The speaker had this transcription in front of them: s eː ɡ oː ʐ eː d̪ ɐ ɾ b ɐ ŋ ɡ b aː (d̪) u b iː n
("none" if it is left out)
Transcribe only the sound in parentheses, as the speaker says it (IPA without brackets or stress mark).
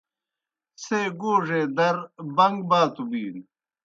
t̪